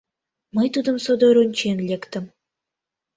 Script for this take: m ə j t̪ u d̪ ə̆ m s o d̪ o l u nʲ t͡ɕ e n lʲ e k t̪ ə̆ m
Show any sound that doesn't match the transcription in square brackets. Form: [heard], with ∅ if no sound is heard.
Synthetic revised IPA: m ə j t̪ u d̪ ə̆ m s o d̪ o [ɾ] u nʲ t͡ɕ e n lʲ e k t̪ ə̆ m